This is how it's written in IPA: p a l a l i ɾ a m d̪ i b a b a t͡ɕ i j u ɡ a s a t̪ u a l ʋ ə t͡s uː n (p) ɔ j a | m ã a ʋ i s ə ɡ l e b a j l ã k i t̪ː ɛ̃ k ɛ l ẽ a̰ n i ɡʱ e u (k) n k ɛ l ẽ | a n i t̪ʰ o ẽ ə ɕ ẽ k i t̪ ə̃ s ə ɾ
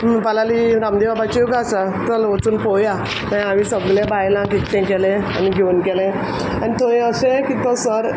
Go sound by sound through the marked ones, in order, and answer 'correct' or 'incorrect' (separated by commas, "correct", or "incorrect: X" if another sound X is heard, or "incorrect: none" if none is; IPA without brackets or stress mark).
correct, incorrect: none